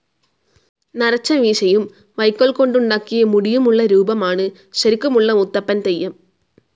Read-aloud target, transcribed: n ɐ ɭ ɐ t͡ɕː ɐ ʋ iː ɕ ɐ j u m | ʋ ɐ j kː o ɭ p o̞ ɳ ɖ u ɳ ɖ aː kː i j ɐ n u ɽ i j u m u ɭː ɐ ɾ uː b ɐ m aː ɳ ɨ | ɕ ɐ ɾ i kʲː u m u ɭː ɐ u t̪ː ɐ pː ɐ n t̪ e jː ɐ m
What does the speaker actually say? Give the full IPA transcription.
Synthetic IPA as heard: n ɐ ɾ ɐ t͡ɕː ɐ ʋ iː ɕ ɐ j u m | ʋ ɐ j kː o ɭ k o̞ ɳ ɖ u ɳ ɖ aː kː i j ɐ m u ɽ i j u m u ɭː ɐ ɾ uː b ɐ m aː ɳ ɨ | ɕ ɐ ɾ i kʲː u m u ɭː ɐ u t̪ː ɐ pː ɐ n t̪ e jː ɐ m